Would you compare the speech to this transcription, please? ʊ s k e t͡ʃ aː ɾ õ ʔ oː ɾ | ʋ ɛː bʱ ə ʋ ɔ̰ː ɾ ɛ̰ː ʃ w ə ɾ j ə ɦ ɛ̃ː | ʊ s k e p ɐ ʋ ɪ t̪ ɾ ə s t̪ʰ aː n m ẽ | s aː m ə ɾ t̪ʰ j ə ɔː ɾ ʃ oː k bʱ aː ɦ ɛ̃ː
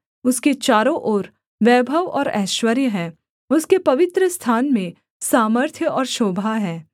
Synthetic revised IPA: ʊ s k e t͡ʃ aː ɾ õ ʔ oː ɾ | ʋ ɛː bʱ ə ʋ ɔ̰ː ɾ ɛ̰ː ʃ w ə ɾ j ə ɦ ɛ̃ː | ʊ s k e p ɐ ʋ ɪ t̪ ɾ ə s t̪ʰ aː n m ẽ | s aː m ə ɾ t̪ʰ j ə ɔː ɾ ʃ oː bʱ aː ɦ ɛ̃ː